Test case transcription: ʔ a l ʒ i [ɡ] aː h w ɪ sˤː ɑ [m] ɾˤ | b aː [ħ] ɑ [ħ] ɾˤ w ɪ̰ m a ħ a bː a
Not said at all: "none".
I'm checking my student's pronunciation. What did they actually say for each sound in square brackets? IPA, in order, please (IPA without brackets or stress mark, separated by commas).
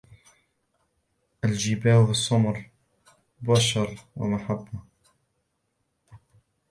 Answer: b, m, ʃ, none